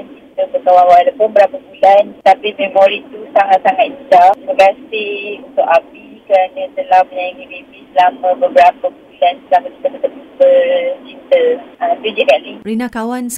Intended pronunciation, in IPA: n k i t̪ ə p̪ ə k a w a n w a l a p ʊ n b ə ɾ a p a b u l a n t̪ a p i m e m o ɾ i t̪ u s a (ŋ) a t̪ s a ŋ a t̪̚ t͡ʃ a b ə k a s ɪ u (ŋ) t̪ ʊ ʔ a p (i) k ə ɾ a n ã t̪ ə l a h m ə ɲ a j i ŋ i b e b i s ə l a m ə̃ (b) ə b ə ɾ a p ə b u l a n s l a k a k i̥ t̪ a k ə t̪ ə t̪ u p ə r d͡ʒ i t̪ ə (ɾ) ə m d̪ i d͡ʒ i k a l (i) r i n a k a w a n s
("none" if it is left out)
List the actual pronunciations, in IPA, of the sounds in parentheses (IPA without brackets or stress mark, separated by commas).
ŋ, n, i, b, l, i